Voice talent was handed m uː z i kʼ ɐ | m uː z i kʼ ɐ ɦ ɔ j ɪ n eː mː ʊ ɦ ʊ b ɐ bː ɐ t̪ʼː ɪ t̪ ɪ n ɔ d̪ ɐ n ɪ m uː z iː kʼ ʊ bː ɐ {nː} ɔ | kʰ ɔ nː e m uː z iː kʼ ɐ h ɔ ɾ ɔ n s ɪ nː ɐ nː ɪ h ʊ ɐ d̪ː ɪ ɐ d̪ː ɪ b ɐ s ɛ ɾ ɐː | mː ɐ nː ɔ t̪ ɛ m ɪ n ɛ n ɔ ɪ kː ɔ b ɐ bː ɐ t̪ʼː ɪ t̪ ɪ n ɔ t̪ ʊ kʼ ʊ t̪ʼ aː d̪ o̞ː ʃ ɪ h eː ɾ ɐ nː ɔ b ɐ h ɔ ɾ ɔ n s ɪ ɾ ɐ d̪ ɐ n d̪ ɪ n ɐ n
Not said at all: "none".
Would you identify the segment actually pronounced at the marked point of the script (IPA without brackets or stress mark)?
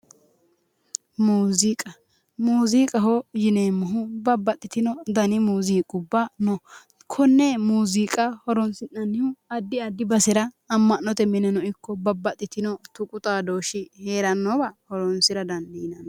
n